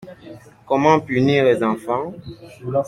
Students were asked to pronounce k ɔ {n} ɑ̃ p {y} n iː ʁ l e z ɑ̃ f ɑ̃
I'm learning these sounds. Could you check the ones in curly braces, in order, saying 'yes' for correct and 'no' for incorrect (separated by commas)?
no, yes